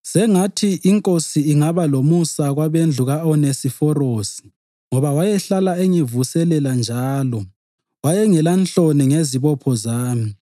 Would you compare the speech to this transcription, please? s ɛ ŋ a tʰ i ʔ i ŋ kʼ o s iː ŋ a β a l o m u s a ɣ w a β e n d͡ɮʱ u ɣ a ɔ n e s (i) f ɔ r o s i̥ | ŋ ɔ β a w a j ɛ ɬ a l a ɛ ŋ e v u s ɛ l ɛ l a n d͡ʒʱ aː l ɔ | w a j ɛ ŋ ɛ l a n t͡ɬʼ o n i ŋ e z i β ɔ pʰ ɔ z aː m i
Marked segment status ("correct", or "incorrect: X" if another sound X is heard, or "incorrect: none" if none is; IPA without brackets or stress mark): correct